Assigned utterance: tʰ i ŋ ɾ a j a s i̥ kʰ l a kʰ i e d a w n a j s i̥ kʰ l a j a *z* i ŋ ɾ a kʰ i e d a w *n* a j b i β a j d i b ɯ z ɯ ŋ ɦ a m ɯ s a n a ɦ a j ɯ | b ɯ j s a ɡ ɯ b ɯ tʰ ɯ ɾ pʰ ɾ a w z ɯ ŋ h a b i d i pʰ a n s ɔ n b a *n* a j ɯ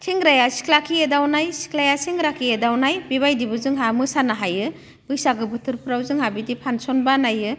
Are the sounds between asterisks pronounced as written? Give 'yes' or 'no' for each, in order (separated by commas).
no, yes, yes